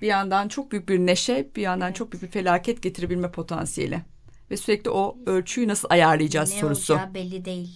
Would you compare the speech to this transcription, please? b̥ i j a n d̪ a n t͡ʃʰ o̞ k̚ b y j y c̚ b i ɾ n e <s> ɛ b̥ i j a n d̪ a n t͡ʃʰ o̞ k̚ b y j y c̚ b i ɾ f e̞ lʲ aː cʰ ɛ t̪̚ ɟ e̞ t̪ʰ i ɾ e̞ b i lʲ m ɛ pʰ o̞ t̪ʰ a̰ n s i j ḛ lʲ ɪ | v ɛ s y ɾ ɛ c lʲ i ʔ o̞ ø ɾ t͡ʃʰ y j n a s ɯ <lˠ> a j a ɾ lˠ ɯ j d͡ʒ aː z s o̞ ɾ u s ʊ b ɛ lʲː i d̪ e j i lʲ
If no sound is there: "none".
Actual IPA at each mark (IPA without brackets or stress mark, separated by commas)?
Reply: ʃ, lˠ